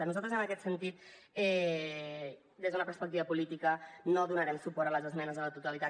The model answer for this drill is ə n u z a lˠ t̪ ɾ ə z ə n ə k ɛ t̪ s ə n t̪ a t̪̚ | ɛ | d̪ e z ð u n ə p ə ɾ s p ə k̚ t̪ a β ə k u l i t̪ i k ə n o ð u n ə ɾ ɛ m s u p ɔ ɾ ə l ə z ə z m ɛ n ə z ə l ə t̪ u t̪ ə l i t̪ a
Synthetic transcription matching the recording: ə n u z a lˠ t̪ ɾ ə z ə n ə k ɛ t̪ s ə n t̪ i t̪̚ | ɛ | d̪ e z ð u n ə p ə ɾ s p ə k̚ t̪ i β ə p u l i t̪ i k ə n o ð u n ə ɾ ɛ m s u p ɔ ɾ ə l ə z ə z m ɛ n ə z ə l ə t̪ u t̪ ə l i t̪ a